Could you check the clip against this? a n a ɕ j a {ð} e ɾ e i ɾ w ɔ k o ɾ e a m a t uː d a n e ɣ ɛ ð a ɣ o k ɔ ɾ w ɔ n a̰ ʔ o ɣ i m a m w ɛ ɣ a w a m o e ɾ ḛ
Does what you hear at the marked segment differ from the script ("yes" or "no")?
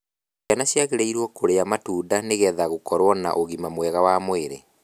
yes